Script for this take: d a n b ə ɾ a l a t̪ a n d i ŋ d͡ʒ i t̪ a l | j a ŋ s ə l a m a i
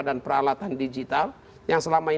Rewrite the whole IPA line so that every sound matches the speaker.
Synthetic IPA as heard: d a n p ə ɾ a l a t̪ a n d i d͡ʒ i t̪ a l | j a ŋ s ə l a m a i

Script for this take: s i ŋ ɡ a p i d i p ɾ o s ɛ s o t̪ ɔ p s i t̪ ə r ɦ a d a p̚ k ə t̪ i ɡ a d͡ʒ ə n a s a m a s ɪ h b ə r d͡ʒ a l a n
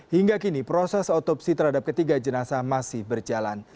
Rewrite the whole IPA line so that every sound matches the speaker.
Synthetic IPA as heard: h i ŋ ɡ a k i n i p ɾ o s ɛ s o t̪ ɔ p s i t̪ ə r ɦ a d a p̚ k ə t̪ i ɡ a d͡ʒ ə n a s a m a s ɪ h b ə r d͡ʒ a l a n

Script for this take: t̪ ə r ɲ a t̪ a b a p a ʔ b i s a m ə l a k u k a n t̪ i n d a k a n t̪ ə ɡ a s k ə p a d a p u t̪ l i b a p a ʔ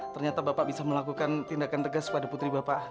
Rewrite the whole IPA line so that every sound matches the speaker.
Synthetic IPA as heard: t̪ ə r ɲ a t̪ a b a p a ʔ b i s a m ə l a k u k a n t̪ i n d a k a n t̪ ə ɡ a s k ə p a d a p u t̪ ɾ i b a p a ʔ

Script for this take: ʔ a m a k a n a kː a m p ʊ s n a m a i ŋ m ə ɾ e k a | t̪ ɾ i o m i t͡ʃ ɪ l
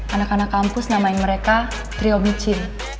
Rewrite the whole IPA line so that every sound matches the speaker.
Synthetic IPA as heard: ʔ a n a k a n a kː a m p ʊ s n a m a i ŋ m ə ɾ e k a | t̪ ɾ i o m i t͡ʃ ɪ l

